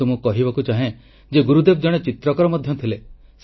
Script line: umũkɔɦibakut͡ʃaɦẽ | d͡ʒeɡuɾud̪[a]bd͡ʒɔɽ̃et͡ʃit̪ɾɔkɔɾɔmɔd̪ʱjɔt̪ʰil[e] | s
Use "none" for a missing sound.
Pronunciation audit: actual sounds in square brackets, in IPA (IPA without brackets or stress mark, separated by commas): e, e